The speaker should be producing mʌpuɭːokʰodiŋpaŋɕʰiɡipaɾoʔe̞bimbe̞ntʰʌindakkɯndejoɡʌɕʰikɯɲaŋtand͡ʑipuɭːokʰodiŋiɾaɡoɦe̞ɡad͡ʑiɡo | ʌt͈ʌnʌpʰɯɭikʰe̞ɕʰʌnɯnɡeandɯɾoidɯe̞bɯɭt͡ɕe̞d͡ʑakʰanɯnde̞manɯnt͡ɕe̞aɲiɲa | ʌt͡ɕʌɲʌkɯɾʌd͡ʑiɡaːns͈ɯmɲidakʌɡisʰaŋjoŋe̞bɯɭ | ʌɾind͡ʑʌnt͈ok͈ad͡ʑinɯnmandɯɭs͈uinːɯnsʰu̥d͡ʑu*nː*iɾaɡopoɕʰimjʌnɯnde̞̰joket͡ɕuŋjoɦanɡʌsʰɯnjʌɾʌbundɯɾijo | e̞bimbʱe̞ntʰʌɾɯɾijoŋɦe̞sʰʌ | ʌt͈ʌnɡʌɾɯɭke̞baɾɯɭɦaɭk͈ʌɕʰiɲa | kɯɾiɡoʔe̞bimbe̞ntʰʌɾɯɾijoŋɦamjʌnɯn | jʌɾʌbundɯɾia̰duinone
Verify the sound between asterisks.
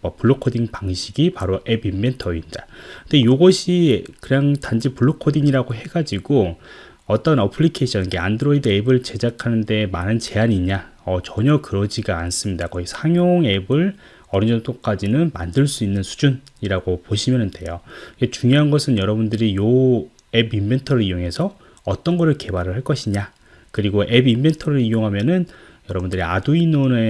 incorrect: n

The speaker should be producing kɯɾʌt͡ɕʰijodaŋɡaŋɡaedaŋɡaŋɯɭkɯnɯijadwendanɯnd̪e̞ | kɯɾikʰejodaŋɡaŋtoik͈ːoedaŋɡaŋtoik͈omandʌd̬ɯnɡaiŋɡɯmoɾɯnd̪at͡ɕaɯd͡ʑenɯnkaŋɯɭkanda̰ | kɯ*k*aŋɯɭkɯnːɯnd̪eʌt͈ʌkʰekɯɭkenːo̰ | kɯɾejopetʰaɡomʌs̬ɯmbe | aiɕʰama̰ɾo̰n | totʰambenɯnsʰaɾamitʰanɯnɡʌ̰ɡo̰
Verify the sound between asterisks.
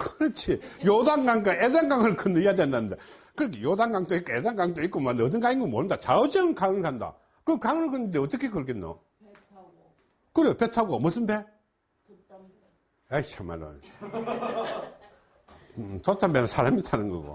correct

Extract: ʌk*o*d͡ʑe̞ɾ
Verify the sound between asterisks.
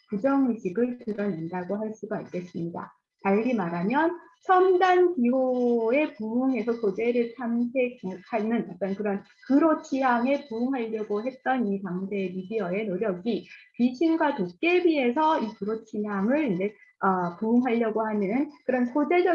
correct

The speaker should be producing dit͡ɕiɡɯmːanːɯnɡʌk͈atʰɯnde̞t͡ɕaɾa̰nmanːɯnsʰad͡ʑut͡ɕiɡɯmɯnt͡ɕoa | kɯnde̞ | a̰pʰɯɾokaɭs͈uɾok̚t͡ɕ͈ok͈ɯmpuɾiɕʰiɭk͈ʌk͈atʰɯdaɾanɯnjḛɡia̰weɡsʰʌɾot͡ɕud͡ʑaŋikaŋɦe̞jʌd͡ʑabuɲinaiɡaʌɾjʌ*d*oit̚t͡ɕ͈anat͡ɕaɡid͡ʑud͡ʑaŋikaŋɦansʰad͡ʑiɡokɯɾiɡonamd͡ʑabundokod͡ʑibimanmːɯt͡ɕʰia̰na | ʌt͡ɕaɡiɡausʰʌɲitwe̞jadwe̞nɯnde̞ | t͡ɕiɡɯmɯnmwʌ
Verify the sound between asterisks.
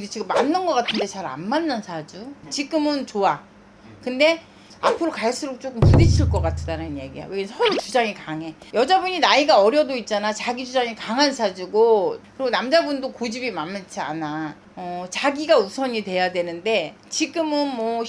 correct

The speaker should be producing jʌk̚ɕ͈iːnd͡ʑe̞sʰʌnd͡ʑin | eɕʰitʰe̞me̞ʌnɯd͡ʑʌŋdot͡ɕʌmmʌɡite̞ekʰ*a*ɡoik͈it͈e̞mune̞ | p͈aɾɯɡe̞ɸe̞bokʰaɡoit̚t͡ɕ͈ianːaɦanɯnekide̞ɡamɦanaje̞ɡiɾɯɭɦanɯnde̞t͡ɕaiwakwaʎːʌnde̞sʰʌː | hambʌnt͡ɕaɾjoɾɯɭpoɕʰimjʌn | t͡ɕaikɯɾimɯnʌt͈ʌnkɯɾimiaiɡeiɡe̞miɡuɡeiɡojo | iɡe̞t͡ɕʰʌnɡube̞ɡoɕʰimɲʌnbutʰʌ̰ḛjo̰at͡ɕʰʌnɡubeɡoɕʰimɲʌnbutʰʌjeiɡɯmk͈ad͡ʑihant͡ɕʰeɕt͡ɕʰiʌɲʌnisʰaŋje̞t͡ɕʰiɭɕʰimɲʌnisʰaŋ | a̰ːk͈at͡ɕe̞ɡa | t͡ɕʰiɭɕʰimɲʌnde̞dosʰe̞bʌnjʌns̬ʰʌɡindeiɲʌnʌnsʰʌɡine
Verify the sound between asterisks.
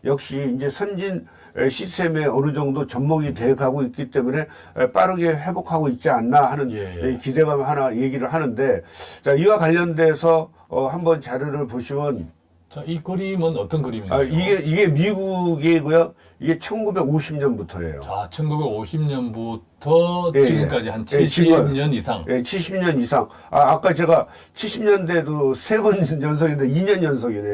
correct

